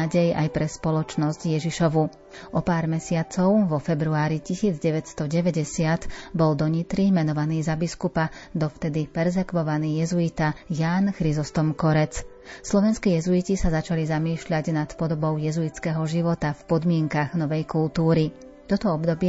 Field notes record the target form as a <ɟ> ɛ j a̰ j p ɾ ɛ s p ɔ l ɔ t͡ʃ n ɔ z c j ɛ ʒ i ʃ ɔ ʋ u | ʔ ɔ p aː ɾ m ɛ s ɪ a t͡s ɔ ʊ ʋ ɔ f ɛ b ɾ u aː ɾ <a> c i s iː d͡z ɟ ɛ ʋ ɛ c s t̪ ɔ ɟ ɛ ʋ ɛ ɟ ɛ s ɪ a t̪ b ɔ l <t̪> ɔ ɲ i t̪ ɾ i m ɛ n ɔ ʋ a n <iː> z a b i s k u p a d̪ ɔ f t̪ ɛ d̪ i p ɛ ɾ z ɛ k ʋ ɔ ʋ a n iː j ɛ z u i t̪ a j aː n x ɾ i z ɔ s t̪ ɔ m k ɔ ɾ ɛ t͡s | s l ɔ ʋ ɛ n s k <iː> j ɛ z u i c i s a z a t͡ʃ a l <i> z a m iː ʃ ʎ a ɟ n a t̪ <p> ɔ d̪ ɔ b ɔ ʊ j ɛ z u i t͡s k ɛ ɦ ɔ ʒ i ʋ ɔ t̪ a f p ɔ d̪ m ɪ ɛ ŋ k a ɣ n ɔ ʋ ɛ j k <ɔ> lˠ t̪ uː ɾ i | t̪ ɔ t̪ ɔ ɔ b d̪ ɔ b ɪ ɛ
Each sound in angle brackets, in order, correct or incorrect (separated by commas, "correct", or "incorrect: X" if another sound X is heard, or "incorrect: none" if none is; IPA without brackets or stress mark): correct, incorrect: i, incorrect: d̪, correct, correct, correct, correct, incorrect: u